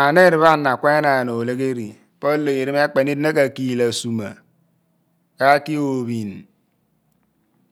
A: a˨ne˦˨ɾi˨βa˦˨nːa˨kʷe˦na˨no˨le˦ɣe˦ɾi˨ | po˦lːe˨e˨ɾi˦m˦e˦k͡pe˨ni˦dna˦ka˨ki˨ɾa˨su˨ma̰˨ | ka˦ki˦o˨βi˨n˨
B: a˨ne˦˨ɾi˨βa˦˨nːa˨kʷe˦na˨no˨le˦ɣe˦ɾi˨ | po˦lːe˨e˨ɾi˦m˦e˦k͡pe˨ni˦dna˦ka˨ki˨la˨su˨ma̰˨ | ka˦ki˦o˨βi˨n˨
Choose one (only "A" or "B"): B